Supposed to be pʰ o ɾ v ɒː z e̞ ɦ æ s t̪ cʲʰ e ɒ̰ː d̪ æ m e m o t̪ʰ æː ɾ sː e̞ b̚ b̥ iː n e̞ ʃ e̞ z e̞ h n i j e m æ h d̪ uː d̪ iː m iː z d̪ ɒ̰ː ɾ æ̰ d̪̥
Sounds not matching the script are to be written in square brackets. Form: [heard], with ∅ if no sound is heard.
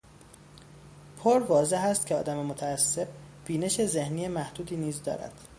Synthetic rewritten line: pʰ o ɾ v ɒː z e̞ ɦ æ s t̪ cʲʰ e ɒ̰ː d̪ æ m e m o t̪ʰ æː [∅] sː e̞ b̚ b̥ iː n e̞ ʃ e̞ z e̞ h n i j e m æ h d̪ uː d̪ iː [n] iː z d̪ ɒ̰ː ɾ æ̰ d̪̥